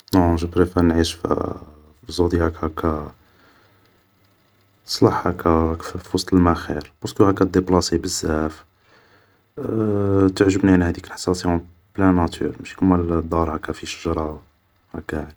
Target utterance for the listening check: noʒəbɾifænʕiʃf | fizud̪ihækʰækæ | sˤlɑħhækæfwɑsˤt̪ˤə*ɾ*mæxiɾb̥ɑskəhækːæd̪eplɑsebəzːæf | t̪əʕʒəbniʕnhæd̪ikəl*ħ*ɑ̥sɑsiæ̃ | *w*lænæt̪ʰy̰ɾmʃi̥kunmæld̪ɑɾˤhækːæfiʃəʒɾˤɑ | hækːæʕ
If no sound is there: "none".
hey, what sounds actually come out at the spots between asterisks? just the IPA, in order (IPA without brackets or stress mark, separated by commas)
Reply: l, ħ, b